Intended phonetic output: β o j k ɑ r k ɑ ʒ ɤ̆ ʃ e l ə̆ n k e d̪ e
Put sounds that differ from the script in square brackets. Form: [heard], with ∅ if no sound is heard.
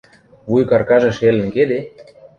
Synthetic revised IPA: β [u] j k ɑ r k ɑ ʒ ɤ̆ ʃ e l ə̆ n k e d̪ e